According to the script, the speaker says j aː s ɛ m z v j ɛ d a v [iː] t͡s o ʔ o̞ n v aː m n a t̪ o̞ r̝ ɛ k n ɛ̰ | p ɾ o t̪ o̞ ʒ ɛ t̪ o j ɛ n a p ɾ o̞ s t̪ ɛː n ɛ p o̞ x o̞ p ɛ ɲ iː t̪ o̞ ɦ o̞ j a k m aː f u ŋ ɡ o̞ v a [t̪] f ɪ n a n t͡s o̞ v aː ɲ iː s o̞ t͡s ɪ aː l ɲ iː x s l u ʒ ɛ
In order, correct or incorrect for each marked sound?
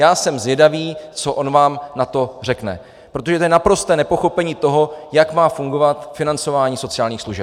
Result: correct, correct

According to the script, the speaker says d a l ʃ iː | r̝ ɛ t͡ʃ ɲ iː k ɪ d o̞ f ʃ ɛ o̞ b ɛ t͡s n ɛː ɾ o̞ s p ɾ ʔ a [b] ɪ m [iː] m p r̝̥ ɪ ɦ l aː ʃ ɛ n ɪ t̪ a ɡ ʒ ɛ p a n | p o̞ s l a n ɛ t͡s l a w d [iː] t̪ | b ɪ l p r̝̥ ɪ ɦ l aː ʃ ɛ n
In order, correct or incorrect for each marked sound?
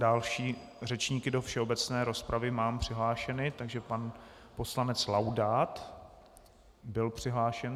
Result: incorrect: v, incorrect: aː, incorrect: aː

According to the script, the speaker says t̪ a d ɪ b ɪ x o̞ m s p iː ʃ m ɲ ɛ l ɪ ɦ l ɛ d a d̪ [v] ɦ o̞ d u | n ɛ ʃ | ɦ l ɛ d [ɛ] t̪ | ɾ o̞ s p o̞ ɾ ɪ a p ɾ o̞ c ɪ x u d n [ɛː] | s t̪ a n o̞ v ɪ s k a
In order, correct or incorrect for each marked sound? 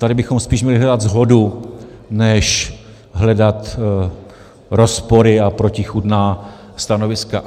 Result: incorrect: z, incorrect: a, incorrect: aː

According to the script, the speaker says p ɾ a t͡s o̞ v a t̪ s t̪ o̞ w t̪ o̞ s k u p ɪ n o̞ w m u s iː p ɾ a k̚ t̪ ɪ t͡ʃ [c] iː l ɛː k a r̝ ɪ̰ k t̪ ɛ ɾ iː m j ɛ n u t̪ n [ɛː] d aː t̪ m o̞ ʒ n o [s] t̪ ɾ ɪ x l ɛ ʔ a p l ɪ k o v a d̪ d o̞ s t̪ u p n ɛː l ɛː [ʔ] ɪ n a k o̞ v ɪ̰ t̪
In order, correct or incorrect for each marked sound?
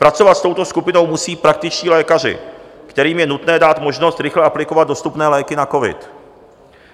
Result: correct, correct, correct, incorrect: k

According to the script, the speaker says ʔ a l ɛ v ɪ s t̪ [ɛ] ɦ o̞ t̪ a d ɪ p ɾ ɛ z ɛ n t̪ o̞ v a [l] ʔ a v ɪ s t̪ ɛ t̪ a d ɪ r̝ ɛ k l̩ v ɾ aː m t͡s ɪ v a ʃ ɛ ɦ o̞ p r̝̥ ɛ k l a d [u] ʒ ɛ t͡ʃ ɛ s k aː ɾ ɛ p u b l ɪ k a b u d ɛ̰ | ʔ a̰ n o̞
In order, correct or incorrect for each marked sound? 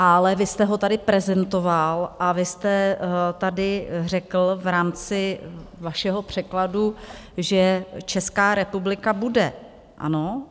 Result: correct, correct, correct

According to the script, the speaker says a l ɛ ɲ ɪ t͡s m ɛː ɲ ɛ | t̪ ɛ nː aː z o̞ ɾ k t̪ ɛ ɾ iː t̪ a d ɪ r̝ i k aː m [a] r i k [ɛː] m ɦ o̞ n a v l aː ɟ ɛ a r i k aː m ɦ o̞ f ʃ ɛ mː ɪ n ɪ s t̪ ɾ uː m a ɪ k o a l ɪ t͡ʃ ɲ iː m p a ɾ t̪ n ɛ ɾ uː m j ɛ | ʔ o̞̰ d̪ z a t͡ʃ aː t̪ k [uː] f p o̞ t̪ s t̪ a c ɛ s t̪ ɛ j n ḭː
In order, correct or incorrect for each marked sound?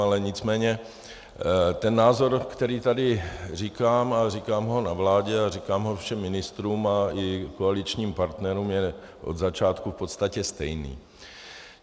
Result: correct, incorrect: aː, incorrect: u

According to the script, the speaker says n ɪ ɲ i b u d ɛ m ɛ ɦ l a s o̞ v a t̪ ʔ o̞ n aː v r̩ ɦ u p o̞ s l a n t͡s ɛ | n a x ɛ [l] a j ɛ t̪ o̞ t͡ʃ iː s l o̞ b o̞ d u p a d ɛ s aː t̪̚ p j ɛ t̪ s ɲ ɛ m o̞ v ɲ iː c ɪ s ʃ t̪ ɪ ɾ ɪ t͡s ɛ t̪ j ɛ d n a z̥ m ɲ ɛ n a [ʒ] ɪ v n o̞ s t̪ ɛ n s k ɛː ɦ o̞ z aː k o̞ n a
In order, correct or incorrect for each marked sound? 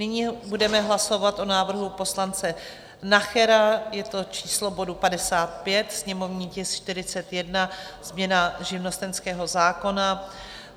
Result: incorrect: ɾ, correct

